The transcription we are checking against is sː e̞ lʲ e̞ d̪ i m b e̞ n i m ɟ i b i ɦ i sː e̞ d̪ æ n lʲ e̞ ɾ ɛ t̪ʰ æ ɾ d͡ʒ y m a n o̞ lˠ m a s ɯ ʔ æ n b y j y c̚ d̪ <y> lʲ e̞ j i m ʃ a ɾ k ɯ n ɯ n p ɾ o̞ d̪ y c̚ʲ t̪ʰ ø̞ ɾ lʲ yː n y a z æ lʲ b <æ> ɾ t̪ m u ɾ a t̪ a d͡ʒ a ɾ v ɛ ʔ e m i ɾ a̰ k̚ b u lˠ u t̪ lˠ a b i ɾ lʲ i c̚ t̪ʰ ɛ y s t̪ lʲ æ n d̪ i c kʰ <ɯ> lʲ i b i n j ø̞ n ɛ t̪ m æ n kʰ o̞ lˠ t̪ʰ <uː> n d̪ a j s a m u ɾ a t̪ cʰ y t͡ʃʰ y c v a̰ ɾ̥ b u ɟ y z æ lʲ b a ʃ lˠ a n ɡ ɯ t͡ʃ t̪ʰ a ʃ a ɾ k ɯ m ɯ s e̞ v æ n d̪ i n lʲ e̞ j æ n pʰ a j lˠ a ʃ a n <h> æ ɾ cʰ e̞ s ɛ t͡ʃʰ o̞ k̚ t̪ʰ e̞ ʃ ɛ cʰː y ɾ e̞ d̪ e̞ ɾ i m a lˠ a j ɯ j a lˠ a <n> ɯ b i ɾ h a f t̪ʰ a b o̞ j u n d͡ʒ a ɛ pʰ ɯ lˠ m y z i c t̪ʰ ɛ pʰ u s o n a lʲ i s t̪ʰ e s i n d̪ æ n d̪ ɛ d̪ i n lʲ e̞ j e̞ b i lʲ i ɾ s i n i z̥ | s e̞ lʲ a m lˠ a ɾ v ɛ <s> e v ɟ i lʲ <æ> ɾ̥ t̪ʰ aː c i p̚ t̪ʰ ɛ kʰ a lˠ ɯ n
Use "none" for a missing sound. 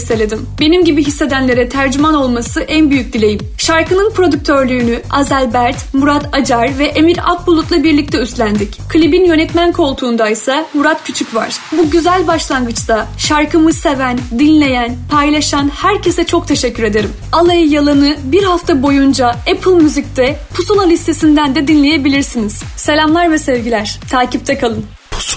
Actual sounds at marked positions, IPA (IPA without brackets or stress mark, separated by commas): i, æ, ɯ, uː, h, n, s, æ